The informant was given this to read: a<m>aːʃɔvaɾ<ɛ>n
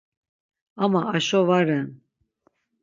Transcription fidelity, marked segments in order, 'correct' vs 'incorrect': correct, correct

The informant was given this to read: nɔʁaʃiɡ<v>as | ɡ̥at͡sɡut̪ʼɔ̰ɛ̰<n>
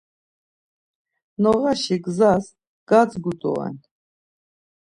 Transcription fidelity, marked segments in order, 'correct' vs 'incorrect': incorrect, correct

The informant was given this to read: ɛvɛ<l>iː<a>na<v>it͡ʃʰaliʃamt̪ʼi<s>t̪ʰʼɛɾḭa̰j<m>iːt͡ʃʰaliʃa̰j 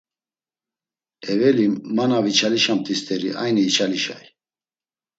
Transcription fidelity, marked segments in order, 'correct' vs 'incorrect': correct, correct, correct, correct, incorrect

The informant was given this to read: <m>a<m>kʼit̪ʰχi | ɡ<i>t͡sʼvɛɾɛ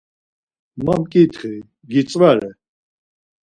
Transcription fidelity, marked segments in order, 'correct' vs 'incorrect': correct, correct, correct

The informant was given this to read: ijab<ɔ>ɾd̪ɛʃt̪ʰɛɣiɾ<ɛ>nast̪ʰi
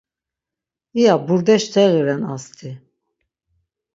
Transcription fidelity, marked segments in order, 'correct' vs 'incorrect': incorrect, correct

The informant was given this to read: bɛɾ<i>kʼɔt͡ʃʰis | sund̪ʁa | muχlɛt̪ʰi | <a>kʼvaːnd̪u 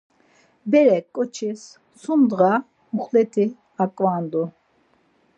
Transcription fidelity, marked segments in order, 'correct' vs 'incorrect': incorrect, correct

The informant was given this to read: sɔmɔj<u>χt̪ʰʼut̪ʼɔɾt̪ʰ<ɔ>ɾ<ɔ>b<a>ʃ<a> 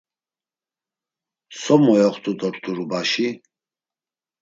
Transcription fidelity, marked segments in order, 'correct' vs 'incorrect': incorrect, incorrect, incorrect, correct, incorrect

